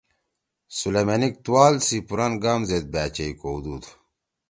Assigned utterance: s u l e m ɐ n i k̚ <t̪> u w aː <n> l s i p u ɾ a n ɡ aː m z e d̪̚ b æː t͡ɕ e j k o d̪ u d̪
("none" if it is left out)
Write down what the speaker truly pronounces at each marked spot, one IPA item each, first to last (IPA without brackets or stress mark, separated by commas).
t̪, none